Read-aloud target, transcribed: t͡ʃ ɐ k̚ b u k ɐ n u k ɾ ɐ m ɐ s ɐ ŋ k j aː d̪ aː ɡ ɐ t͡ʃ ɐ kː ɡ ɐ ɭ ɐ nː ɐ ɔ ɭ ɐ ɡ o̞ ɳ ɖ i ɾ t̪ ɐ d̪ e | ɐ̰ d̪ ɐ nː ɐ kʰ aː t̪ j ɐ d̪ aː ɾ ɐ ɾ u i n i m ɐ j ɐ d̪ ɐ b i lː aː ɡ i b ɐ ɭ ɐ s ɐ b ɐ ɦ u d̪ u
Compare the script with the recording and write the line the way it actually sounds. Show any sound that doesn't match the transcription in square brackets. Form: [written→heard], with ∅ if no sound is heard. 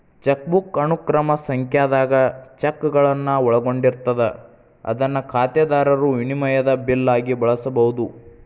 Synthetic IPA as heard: t͡ʃ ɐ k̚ b u k ɐ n u k ɾ ɐ m ɐ s ɐ ŋ k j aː d̪ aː ɡ ɐ t͡ʃ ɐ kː ɡ ɐ ɭ ɐ nː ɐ ɔ ɭ ɐ ɡ o̞ ɳ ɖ i ɾ t̪ ɐ d̪ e | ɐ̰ d̪ ɐ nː ɐ kʰ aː t̪ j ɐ d̪ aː ɾ ɐ ɾ u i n i m ɐ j ɐ d̪ ɐ b i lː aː ɡ i b ɐ ɭ ɐ s ɐ b ɐ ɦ u d̪ u